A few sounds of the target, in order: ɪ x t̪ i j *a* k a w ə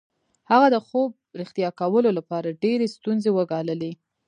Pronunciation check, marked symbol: incorrect: ɑ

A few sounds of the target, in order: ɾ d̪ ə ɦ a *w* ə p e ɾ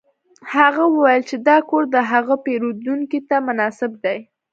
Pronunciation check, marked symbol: incorrect: ɣ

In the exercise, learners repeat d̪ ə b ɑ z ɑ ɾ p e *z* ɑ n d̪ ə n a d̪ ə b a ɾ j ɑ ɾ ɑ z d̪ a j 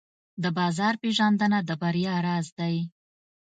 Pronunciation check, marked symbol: incorrect: ʒ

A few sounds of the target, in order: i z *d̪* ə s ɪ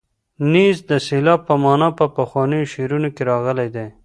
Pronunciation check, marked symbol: correct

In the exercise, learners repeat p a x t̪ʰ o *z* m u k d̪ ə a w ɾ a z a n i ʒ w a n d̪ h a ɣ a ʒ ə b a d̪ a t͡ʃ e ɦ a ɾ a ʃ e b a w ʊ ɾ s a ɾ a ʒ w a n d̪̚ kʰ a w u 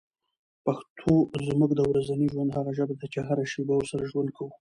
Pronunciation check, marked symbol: correct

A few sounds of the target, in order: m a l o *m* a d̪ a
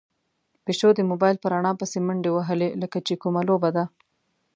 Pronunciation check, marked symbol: incorrect: b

